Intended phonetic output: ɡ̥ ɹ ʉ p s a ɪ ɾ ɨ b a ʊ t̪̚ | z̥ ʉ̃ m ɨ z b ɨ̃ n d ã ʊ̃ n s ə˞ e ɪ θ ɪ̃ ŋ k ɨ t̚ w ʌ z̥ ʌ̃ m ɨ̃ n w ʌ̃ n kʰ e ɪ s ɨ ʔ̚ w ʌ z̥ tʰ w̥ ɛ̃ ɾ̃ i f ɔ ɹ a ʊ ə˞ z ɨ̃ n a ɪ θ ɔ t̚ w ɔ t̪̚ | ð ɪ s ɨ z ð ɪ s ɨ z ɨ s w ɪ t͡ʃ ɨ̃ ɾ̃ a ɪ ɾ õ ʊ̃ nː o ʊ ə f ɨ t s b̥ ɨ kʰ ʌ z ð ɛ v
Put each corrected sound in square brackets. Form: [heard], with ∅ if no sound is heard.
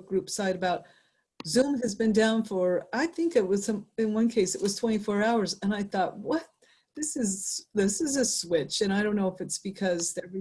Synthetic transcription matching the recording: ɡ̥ ɹ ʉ p s a ɪ ɾ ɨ b a ʊ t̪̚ | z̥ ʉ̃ m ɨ z b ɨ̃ n d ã ʊ̃ n [f] ə˞ [a] ɪ θ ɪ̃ ŋ k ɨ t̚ w ʌ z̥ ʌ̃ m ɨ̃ n w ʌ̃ n kʰ e ɪ s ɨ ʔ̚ w ʌ z̥ tʰ w̥ ɛ̃ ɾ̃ i f ɔ ɹ a ʊ ə˞ z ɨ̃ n a ɪ θ ɔ t̚ w [ʌ] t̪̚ | ð ɪ s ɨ z ð ɪ s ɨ z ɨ s w ɪ t͡ʃ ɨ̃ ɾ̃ a ɪ ɾ õ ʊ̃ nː o ʊ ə f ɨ t s b̥ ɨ kʰ ʌ z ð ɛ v